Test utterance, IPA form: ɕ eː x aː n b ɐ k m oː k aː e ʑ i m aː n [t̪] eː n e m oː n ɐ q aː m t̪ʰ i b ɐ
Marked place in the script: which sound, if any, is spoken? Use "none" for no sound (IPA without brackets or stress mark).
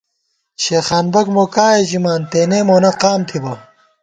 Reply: t̪